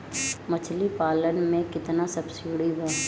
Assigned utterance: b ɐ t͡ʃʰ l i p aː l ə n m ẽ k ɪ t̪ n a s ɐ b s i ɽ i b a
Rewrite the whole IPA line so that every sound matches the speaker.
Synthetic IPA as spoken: m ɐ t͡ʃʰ l i p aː l ə n m ẽ k ɪ t̪ n a s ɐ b s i ɽ i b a